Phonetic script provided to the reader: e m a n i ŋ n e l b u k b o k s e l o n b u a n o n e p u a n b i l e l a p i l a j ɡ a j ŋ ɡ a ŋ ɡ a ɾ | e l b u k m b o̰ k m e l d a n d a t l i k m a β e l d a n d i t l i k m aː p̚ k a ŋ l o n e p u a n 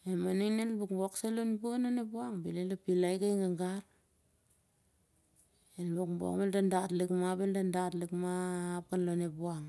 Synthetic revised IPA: e m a n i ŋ n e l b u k b o k s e l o n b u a n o n e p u a ŋ b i l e l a p i l a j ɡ a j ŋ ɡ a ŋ ɡ a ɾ | e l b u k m b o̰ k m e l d a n d a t l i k m a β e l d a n d a t l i k m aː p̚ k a n l o n e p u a ŋ

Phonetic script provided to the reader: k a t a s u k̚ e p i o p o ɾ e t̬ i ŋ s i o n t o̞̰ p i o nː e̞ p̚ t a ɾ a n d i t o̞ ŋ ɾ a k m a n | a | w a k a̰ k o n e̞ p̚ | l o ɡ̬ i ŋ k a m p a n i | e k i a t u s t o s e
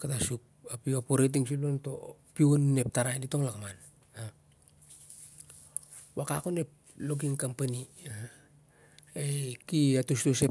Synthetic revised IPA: k a t a s u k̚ a p i o p o ɾ e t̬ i ŋ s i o n t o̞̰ p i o nː e̞ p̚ t a ɾ a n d i t o̞ ŋ l a k m a n | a | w a k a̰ k o n e̞ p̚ | l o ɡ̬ i ŋ k a m p a n i | e k i a t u s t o s e

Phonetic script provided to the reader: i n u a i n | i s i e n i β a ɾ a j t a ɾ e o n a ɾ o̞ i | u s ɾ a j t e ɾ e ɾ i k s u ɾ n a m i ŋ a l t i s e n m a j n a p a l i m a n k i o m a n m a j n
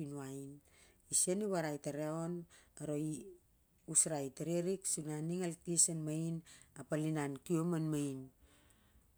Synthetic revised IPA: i n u a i n | i s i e n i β a ɾ a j t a ɾ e o n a ɾ o̞ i | u s ɾ a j t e ɾ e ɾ i k s u n a n i ŋ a l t i s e n m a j n a p a l i n a n k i o m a n m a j n

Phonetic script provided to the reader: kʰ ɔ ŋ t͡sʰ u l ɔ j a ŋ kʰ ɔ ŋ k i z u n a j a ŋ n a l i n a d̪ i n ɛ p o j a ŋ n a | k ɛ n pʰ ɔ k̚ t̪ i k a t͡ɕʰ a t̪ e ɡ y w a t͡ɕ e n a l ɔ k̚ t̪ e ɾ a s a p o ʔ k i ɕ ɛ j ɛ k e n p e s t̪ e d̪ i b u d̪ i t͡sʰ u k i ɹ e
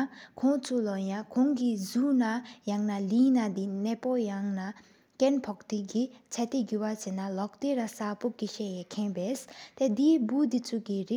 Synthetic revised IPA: kʰ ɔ ŋ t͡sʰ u l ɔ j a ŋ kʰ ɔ ŋ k i z u n a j a ŋ n a l i n a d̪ i n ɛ p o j a ŋ n a | k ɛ n pʰ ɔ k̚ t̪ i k i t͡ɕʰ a t̪ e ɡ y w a t͡ɕ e n a l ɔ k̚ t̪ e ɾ a s a p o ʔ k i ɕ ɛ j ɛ kʰ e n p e s t̪ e d̪ i b u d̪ i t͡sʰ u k i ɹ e

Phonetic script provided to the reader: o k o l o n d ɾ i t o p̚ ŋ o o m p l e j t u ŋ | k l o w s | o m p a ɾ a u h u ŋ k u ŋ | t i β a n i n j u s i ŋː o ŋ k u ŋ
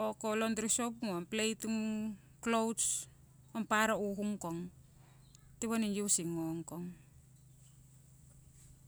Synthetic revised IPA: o k o l o n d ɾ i s o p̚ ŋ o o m p l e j t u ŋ | k l o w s | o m p a ɾ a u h u ŋ k o ŋ | t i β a n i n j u s i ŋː o ŋ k o ŋ

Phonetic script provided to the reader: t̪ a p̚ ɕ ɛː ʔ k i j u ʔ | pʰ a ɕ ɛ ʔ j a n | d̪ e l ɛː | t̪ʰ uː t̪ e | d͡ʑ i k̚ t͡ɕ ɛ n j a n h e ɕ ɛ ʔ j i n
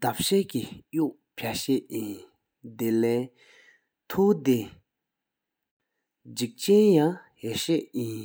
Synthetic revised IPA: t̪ a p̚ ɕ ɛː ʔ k i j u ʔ | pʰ a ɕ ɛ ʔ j i n | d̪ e l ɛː | t̪ʰ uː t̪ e | d͡ʑ i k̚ t͡ɕ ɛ n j a ŋ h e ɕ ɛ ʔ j i n

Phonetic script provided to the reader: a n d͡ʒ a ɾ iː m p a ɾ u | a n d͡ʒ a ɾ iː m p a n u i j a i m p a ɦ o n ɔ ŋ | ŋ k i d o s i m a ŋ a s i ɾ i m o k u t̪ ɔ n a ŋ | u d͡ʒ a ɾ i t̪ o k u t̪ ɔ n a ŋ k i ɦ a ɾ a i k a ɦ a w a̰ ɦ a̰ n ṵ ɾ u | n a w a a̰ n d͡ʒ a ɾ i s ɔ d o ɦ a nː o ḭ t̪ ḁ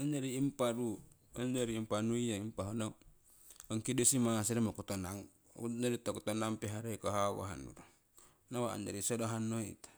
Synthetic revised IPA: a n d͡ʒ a ɾ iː m p a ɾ u | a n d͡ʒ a ɾ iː m p a n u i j a i m p a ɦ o n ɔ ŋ | ŋ k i d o s i m a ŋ a s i ɾ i m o k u t̪ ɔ n a ŋ | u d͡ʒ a ɾ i t̪ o k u t̪ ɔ n a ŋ p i ɦ a ɾ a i k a ɦ a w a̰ ɦ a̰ n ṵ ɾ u | n a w a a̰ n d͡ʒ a ɾ i s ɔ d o ɦ a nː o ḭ t̪ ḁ

